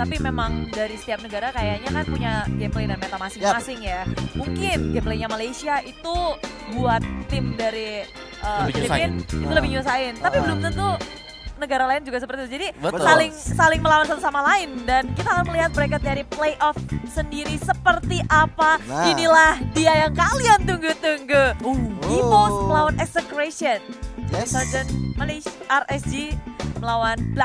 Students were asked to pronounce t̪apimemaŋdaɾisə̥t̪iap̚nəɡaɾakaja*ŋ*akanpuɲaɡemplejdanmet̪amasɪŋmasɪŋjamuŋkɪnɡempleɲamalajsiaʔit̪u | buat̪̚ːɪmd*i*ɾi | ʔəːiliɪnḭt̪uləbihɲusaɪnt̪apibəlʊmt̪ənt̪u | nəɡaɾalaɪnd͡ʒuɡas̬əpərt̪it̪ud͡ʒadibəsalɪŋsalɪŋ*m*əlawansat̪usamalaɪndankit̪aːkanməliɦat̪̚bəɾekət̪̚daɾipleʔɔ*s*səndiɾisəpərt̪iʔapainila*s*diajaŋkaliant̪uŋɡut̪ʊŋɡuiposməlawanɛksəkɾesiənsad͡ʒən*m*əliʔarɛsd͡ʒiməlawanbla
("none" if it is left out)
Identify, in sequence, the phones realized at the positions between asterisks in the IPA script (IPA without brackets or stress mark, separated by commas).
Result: ɲ, a, m, f, h, m